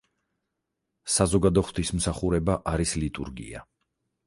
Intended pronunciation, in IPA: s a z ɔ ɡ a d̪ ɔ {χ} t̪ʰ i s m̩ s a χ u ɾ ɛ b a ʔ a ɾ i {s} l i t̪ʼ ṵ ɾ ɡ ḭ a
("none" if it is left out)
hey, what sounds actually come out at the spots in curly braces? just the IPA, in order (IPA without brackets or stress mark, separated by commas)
χ, s